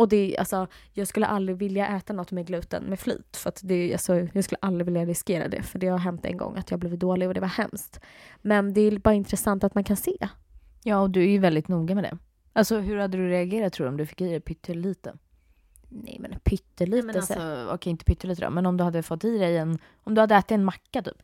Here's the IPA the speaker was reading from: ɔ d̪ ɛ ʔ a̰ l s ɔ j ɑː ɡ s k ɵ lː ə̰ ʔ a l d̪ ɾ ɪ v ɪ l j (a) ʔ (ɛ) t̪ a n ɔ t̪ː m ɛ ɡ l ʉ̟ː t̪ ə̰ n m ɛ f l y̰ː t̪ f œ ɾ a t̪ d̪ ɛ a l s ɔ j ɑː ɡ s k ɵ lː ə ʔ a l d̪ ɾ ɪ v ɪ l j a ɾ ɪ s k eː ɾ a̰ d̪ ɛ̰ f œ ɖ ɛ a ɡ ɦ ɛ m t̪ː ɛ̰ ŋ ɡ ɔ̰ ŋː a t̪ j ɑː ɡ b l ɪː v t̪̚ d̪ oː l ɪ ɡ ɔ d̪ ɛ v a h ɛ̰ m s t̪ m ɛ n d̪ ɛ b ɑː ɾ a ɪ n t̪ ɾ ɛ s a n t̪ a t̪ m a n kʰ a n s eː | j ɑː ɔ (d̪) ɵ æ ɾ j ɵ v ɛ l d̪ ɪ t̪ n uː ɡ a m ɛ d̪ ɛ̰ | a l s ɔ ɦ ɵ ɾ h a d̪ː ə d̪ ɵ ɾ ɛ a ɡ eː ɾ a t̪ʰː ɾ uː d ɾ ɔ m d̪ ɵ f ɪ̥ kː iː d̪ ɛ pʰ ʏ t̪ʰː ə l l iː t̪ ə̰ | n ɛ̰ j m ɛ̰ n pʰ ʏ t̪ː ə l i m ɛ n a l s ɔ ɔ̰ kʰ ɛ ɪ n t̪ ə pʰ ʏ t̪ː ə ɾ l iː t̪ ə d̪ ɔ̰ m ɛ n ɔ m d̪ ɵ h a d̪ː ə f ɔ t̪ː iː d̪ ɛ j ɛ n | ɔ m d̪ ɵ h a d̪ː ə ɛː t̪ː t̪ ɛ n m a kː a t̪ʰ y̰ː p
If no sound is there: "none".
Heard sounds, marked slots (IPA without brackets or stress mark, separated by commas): a, ɛː, d̪